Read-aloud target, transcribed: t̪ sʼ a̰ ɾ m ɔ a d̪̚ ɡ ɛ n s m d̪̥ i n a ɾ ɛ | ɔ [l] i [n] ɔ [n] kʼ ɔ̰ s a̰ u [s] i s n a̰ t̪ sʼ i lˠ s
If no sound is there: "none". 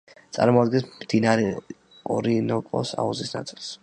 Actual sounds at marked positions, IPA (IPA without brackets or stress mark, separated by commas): ɾ, n, none, z